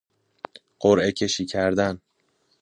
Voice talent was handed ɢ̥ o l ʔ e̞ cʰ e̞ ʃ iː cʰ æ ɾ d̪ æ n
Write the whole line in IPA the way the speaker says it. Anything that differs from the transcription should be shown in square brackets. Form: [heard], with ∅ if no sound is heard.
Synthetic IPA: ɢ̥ o [ɾ] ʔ e̞ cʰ e̞ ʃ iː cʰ æ ɾ d̪ æ n